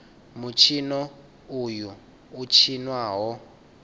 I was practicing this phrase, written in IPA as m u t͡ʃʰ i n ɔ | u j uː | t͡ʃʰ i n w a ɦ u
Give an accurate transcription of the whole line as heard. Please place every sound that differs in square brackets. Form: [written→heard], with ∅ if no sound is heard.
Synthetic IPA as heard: m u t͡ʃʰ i n ɔ | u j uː | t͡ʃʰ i n w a ɦ [u→ɔ]